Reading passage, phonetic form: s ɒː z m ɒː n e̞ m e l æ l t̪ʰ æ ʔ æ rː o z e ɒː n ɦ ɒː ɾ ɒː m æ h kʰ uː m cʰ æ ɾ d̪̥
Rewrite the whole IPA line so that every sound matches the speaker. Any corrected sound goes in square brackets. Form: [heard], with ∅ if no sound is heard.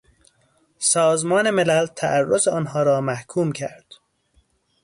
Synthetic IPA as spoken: s ɒː z m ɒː n e̞ m e l æ l t̪ʰ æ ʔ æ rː o z e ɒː n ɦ ɒː ɾ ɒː m æ h kʰ uː m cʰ æ ɾ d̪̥